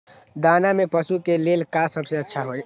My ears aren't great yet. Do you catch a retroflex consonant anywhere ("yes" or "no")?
no